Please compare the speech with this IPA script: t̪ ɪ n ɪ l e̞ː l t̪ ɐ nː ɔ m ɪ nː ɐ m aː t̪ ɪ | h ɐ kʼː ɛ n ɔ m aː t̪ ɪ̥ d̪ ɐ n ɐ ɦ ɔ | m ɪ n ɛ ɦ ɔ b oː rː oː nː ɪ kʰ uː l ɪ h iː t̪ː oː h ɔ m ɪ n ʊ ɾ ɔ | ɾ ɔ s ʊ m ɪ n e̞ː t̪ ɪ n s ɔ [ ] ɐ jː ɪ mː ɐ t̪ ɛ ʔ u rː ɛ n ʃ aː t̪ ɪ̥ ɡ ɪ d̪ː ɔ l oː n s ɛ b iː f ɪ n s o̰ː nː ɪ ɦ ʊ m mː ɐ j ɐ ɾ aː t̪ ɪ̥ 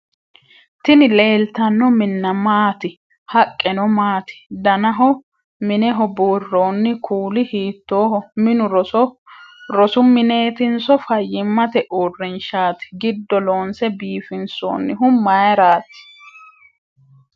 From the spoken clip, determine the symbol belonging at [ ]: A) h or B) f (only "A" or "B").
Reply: B